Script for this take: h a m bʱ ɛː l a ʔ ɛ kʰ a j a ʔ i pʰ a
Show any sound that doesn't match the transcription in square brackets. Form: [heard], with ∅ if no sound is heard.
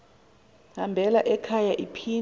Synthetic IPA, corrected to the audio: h a m bʱ [ɛ] l a ʔ ɛ kʰ a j a ʔ i pʰ [i]